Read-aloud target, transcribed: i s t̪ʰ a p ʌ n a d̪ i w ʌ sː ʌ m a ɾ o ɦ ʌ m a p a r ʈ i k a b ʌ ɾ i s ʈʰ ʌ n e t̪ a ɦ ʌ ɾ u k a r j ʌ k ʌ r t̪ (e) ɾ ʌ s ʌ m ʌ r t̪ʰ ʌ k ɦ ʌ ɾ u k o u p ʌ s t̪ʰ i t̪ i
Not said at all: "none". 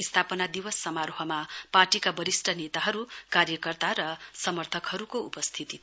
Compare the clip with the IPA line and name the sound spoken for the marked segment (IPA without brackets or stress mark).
a